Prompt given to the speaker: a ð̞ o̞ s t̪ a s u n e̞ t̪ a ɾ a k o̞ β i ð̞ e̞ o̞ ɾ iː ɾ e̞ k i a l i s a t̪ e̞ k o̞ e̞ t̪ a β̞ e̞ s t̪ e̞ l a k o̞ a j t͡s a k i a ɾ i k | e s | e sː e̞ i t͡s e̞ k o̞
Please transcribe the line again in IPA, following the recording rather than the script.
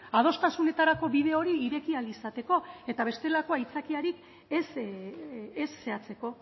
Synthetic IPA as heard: a ð̞ o̞ s t̪ a s u n e̞ t̪ a ɾ a k o̞ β i ð̞ e̞ o̞ ɾ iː ɾ e̞ k i a l i s a t̪ e̞ k o̞ e̞ t̪ a β̞ e̞ s t̪ e̞ l a k o̞ a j t͡s a k i a ɾ i k | e s | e sː e̞ a t͡s e̞ k o̞